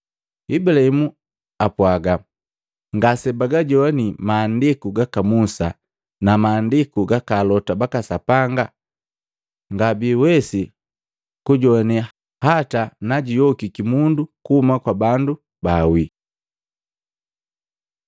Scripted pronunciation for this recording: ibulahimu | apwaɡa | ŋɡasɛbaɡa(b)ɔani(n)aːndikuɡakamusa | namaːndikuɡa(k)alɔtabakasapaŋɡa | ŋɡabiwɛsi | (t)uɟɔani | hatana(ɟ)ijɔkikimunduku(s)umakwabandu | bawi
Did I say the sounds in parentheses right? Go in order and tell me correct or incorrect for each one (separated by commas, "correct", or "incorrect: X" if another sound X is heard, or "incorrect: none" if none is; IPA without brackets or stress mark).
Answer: incorrect: ɟ, incorrect: m, correct, incorrect: k, correct, incorrect: h